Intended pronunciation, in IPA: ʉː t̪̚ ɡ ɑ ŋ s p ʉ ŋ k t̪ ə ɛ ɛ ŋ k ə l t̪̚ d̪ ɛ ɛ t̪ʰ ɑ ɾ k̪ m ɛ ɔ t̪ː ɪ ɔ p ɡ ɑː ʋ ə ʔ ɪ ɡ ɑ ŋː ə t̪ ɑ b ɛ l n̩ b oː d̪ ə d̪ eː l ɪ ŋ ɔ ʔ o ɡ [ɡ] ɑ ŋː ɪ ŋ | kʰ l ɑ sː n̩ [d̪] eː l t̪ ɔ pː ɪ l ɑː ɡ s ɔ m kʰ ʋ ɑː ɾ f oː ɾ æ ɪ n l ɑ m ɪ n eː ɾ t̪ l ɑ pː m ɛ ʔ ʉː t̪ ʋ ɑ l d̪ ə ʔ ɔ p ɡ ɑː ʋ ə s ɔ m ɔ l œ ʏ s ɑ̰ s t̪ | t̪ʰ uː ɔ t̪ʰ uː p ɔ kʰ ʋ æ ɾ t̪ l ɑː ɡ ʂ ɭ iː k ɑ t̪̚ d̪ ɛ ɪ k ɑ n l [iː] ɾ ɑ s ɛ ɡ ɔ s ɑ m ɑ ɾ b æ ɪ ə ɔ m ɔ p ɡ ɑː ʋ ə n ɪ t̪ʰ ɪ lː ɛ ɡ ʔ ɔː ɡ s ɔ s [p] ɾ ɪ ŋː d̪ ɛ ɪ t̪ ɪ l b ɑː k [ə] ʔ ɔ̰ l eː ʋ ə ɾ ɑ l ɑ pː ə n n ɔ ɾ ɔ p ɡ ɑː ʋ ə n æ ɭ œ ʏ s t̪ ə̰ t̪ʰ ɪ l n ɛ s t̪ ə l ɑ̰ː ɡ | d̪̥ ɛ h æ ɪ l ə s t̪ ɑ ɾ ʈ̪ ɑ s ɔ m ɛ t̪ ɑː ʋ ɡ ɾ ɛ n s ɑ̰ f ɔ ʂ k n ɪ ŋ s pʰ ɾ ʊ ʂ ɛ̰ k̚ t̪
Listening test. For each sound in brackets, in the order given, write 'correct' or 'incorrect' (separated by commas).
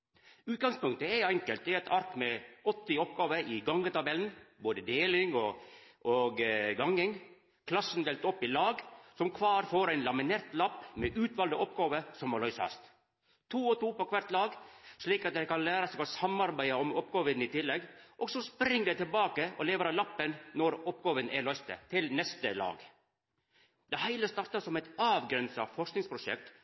correct, correct, incorrect, correct, correct